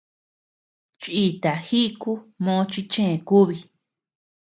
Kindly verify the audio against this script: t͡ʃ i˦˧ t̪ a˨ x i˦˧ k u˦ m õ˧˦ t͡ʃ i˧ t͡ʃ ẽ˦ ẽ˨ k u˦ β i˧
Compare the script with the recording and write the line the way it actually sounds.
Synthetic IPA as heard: t͡ʃ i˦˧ t̪ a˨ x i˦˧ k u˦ m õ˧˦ t͡ʃ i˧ t͡ʃ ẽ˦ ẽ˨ k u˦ β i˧

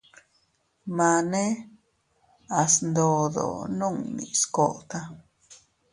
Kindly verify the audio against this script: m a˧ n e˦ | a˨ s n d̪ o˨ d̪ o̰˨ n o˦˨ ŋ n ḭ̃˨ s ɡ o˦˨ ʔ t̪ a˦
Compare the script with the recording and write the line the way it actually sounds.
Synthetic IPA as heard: m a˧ n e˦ | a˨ s n d̪ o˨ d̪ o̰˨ n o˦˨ ŋ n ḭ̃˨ s k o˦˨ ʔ t̪ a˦

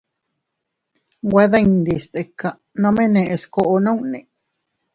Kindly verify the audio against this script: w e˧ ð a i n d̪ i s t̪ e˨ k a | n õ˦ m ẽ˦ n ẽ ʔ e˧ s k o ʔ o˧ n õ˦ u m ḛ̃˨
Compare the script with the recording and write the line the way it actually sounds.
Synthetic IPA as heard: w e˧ ð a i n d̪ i s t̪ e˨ k a | n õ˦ m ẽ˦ n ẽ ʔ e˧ s k o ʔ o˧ n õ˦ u n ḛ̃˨

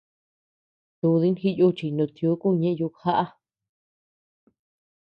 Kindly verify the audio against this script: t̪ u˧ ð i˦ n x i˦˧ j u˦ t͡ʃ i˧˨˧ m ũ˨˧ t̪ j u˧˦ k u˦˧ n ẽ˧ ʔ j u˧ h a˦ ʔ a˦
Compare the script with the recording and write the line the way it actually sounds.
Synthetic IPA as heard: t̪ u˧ ð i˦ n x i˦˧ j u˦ t͡ʃ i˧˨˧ n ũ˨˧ t̪ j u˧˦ k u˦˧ ɲ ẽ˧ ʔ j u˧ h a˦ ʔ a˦

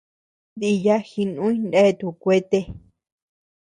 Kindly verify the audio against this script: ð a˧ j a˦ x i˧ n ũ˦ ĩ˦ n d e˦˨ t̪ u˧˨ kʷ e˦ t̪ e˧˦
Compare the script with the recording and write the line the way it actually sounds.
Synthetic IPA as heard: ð i˧ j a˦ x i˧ n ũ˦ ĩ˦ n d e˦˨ t̪ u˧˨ kʷ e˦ t̪ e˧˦

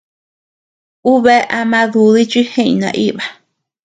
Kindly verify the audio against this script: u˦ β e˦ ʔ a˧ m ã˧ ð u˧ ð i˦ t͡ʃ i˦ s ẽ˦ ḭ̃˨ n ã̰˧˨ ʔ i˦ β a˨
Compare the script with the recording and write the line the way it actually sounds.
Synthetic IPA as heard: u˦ β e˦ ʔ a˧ m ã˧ ð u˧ ð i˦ t͡ʃ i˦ h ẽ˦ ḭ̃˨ n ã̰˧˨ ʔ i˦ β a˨

